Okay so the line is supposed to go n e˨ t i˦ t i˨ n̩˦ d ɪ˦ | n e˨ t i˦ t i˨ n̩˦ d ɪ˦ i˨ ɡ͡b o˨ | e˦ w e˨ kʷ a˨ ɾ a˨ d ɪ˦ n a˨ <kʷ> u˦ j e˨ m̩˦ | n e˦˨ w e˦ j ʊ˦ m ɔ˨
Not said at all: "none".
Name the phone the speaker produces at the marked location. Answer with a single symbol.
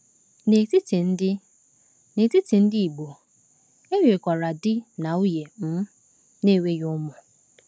none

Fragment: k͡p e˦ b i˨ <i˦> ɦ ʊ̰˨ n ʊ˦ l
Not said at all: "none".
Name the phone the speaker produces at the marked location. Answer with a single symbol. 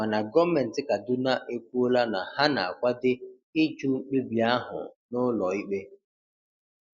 a˦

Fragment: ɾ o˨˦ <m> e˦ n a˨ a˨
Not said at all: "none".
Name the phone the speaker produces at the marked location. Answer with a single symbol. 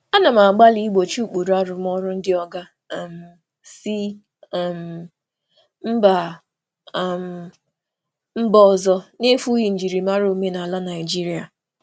m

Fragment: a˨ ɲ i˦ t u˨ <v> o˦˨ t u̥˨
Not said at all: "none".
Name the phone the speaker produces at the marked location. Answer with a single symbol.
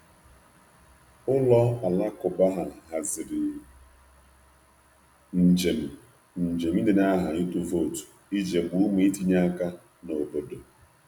v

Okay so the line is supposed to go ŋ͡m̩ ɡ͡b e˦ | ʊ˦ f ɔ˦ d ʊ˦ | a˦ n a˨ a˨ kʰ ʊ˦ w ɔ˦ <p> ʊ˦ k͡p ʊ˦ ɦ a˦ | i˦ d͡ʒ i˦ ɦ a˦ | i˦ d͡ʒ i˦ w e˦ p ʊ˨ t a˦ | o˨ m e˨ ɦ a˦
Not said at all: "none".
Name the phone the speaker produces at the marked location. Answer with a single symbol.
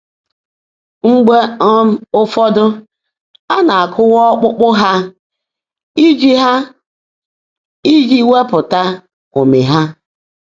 k͡p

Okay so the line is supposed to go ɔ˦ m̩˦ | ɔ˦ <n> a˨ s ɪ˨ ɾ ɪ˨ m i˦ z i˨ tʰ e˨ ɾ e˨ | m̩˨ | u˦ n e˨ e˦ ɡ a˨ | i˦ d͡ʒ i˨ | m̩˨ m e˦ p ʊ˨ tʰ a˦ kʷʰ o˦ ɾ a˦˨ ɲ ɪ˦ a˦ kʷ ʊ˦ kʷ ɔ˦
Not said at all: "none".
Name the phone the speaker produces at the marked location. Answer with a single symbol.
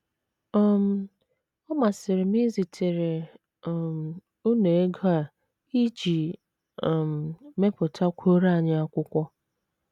m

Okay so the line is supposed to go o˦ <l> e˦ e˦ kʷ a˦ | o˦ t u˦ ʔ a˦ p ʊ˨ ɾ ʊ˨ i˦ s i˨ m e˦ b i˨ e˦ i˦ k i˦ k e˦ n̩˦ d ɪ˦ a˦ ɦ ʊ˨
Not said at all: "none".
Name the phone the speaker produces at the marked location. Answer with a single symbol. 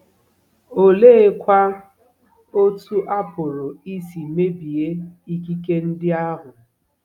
l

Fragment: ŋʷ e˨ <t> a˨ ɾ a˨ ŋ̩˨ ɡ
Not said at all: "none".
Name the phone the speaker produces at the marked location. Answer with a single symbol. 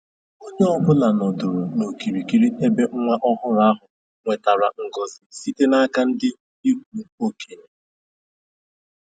t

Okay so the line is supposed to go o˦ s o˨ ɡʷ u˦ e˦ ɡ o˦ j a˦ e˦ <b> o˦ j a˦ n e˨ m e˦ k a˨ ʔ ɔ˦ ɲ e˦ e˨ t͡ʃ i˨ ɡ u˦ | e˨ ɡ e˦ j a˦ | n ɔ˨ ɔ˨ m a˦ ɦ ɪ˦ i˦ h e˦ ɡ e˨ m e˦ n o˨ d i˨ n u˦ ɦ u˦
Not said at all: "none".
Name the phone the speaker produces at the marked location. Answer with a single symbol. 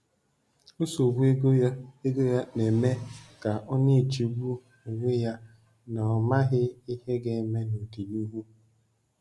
ɡ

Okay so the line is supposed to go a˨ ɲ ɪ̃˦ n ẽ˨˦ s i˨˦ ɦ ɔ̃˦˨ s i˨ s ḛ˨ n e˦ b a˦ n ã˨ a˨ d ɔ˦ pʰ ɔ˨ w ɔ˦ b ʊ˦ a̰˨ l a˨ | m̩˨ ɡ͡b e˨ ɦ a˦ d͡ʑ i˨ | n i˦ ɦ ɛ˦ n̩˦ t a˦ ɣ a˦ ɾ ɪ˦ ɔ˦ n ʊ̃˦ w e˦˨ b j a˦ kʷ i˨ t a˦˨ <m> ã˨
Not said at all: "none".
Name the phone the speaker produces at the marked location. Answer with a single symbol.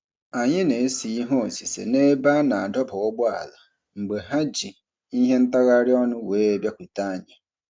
ɲ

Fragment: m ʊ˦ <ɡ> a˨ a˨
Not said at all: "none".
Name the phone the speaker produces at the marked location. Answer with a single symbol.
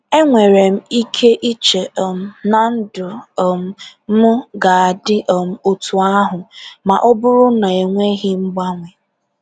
ɡ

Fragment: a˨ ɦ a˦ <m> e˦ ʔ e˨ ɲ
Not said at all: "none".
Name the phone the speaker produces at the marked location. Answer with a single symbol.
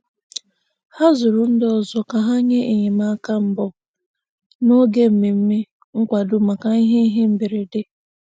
ɲ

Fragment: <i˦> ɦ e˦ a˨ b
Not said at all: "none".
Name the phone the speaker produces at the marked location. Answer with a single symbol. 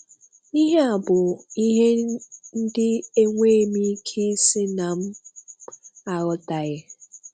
i˦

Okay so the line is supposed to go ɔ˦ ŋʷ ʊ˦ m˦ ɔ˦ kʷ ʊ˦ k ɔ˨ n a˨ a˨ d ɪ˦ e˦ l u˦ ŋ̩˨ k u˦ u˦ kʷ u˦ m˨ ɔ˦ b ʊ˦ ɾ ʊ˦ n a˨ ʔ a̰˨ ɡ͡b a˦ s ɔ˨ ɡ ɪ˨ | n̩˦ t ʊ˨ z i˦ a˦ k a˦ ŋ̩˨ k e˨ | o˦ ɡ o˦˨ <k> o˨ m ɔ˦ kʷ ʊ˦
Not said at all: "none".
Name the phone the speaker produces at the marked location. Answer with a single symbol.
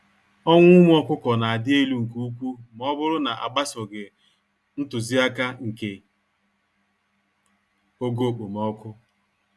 k͡p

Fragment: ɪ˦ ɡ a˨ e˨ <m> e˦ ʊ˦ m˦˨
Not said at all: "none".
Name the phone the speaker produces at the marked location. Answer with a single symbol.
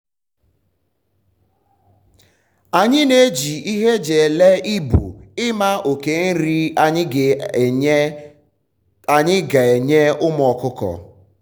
ɲ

